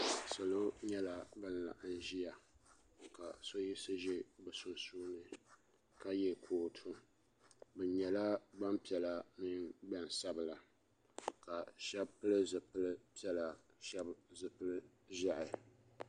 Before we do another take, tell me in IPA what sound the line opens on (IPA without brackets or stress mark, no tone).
s